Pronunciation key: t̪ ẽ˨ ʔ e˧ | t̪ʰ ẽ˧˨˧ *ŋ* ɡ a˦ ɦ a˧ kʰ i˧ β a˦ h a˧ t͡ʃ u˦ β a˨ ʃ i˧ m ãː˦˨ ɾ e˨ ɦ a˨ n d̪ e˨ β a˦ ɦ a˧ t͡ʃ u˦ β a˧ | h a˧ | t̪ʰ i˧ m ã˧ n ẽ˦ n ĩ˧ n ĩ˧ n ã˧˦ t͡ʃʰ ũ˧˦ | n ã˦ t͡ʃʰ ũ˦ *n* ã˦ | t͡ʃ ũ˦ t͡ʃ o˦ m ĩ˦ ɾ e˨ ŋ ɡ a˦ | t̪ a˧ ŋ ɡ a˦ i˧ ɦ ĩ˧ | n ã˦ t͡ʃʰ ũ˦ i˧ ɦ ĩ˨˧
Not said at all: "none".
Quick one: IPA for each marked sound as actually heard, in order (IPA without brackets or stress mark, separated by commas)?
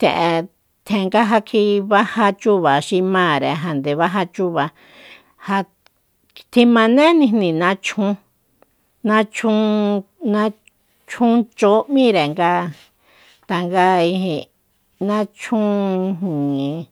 ŋ, n